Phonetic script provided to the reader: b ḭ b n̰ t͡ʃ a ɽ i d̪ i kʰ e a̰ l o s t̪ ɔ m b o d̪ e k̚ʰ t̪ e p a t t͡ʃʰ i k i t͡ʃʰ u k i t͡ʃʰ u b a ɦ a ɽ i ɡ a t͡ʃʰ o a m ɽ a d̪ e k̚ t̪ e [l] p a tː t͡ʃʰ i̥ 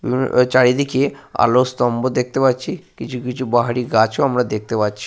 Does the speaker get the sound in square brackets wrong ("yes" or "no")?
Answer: yes